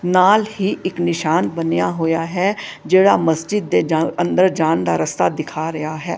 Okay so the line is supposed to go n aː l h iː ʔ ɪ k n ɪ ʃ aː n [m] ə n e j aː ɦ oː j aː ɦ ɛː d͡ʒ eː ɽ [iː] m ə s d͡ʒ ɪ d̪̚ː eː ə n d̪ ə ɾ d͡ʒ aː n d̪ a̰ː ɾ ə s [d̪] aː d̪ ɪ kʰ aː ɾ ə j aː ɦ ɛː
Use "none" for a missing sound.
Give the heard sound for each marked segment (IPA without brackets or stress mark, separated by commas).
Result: b, aː, t̪